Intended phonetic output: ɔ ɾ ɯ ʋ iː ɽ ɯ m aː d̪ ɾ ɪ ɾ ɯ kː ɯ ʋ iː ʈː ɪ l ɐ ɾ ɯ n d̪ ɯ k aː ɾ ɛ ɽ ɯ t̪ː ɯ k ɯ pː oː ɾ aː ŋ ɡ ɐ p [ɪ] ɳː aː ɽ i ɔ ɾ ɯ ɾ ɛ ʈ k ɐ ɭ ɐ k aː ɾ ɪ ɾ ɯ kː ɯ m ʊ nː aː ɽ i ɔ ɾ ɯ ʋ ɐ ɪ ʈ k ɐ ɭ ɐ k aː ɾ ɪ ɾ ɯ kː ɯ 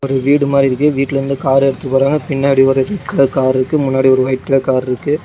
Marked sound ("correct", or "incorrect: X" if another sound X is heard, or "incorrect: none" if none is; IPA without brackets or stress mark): correct